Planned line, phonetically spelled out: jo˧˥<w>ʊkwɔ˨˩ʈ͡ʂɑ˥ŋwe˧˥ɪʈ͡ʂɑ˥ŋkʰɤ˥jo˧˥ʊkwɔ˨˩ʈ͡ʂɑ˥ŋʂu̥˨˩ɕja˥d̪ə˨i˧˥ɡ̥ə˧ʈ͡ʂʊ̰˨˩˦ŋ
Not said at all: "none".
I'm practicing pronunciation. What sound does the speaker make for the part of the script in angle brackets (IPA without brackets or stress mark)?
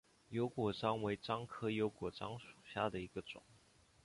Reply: none